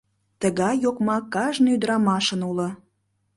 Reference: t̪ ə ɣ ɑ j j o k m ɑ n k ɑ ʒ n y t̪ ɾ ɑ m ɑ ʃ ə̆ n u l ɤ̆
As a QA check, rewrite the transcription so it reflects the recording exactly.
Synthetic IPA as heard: t̪ ə ɣ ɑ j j o k m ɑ k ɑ ʒ n y d̪ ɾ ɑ m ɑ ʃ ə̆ n u l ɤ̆